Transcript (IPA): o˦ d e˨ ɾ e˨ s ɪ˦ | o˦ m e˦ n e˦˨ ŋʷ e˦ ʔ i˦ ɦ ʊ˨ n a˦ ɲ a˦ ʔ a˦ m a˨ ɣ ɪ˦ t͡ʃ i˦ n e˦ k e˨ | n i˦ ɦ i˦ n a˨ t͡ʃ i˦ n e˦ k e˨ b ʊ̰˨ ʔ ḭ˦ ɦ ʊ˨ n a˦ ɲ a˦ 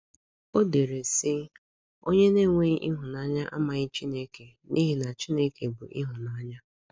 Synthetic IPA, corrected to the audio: o˦ d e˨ ɾ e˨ s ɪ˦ | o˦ ɲ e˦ n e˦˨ ŋʷ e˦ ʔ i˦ ɦ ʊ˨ n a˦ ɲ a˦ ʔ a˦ m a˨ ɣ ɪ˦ t͡ʃ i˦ n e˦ k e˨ | n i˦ ɦ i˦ n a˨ t͡ʃ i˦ n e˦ k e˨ b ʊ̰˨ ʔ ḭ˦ ɦ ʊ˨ n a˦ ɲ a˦